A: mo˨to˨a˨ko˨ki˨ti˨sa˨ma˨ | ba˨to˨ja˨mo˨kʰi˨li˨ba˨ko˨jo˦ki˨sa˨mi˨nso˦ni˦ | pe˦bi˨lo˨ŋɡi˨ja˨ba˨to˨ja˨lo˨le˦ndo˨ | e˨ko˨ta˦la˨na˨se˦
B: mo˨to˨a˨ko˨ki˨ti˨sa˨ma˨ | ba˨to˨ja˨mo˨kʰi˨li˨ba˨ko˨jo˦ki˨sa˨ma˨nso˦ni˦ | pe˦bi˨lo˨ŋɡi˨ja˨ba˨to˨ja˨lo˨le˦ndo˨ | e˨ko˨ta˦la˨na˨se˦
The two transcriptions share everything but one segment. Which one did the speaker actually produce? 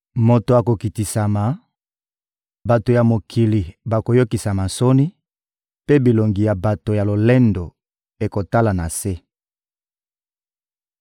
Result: B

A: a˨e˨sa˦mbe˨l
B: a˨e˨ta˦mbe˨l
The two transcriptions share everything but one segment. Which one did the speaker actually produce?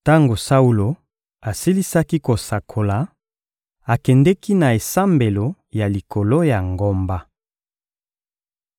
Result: A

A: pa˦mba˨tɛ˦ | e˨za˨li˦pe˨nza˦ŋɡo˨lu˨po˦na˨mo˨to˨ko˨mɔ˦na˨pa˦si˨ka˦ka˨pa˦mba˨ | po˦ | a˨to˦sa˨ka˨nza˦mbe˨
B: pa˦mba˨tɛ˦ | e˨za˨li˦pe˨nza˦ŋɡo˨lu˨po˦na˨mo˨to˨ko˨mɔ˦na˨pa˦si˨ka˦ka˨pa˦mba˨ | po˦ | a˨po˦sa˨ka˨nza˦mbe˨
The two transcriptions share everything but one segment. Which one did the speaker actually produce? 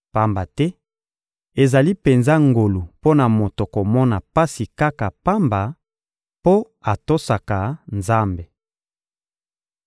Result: A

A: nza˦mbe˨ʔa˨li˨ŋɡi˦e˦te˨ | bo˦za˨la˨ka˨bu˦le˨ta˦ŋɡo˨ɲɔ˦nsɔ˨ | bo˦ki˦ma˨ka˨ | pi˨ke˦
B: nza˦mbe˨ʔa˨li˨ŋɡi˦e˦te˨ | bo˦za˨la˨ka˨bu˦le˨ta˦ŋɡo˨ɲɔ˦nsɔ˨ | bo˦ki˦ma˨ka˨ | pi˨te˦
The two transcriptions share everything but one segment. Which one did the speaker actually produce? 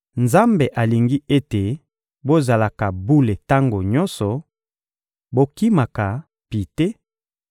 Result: B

